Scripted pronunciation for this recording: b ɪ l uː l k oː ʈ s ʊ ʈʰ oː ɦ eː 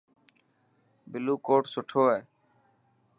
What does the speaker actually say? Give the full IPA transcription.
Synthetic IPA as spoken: b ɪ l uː k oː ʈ s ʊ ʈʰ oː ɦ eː